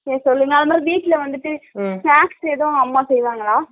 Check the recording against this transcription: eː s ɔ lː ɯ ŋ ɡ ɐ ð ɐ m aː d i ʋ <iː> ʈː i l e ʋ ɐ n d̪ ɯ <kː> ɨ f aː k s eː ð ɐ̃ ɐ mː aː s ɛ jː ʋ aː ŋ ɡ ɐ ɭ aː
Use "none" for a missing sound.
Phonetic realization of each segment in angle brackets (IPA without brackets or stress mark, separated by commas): iː, ʈː